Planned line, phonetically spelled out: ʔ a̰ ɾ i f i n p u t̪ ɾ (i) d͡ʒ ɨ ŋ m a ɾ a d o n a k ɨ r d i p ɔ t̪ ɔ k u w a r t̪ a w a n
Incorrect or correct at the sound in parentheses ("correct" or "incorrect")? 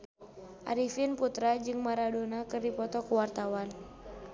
incorrect